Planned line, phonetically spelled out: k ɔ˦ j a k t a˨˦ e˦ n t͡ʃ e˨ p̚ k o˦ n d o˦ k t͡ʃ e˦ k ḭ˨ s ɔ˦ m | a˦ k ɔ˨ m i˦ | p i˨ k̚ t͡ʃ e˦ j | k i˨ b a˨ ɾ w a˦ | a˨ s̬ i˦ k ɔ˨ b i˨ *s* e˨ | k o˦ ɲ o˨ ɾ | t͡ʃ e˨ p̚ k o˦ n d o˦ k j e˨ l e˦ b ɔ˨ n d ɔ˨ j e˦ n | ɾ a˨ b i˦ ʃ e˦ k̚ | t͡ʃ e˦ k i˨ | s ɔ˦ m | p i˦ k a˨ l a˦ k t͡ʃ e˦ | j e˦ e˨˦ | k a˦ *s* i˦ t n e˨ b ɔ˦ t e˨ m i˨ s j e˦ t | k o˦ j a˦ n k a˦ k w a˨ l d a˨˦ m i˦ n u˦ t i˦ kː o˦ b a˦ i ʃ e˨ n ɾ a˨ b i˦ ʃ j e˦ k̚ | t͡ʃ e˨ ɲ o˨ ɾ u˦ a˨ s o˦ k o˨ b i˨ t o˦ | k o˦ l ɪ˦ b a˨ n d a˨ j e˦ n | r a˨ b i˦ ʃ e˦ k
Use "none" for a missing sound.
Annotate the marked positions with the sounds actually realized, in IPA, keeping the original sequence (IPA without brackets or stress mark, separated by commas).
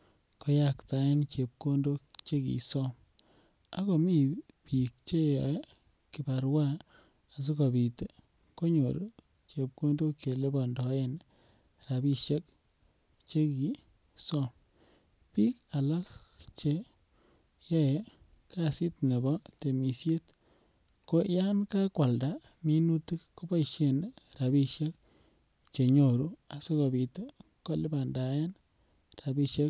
t, s